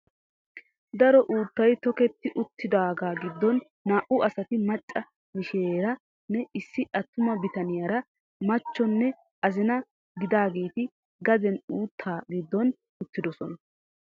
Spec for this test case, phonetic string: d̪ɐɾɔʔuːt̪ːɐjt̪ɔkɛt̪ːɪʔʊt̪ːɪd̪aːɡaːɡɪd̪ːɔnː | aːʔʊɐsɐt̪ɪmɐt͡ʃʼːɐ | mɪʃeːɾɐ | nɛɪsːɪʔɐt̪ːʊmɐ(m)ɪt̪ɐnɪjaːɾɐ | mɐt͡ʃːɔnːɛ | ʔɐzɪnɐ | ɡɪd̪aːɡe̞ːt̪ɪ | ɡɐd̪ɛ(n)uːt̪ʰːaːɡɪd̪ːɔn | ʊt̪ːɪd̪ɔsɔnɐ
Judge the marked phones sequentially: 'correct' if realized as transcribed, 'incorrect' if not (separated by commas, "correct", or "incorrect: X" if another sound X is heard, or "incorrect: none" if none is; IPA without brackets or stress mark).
incorrect: b, correct